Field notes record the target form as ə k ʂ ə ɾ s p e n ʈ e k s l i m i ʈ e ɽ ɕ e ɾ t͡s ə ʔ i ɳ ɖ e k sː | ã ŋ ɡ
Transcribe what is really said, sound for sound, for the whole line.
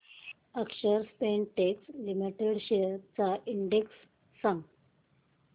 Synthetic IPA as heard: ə k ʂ ə ɾ s p e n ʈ e k s l i m i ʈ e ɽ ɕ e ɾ t͡s a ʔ i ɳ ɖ e k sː | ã ŋ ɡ

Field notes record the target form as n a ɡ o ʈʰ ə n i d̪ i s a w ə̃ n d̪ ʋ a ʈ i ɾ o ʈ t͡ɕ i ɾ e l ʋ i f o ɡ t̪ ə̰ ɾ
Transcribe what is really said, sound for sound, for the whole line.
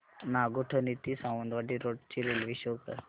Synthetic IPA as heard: n a ɡ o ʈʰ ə n i t̪ i s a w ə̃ n d̪ ʋ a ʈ i ɾ o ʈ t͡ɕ i ɾ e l ʋ i ɕ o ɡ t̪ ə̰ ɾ

